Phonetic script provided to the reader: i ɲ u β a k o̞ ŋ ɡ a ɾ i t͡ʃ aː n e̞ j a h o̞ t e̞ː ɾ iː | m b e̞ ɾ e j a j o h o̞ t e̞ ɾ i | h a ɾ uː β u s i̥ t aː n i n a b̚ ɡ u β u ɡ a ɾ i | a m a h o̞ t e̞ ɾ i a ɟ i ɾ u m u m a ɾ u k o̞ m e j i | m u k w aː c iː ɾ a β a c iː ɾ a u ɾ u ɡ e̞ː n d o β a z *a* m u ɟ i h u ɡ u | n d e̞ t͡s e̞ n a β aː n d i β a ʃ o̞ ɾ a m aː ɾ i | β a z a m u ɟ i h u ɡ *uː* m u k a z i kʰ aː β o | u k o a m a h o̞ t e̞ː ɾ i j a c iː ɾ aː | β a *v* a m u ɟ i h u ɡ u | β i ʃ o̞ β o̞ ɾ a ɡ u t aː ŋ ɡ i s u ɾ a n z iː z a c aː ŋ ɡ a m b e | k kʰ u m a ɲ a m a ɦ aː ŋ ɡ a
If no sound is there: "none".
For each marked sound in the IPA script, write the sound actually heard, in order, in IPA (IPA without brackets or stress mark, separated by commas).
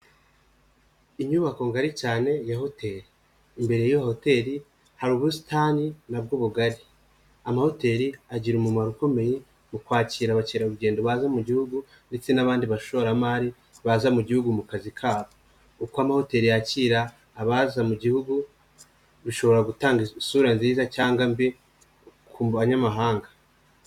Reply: a, u, z